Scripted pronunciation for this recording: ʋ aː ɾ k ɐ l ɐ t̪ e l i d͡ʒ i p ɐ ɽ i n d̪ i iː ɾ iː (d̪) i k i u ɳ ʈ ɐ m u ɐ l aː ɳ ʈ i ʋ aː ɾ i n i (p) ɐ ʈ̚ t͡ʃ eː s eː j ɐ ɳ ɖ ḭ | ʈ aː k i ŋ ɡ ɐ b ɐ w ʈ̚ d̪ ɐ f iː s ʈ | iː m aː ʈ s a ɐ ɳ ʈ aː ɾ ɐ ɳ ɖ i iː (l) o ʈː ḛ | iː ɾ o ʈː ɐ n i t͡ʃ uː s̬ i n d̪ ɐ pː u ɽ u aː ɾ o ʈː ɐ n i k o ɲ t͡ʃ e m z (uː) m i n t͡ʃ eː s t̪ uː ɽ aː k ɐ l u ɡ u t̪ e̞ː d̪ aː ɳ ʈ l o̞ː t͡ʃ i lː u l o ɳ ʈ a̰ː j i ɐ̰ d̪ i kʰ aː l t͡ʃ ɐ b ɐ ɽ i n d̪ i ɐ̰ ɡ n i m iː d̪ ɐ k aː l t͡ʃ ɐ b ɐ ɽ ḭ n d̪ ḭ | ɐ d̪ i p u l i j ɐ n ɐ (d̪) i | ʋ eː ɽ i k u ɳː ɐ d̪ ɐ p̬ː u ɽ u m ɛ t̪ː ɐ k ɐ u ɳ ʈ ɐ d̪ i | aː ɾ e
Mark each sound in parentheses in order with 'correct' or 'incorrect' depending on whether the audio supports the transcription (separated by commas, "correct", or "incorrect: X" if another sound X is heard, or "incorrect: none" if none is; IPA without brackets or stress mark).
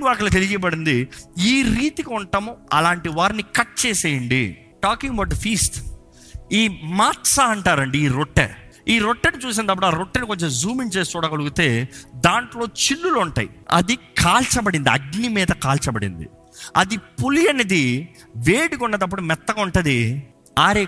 incorrect: t̪, incorrect: k, incorrect: ɾ, correct, correct